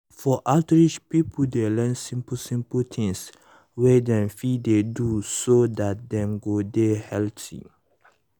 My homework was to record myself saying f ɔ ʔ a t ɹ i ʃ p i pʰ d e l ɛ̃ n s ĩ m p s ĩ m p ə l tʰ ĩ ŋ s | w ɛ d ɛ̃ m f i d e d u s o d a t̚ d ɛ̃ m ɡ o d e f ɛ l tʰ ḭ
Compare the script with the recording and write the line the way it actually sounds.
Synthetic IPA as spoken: f ɔ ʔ a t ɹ i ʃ p i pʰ d e l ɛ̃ n s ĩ m p s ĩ m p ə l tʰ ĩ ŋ s | w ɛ d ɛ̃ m f i d e d u s o d a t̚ d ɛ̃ m ɡ o d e h ɛ l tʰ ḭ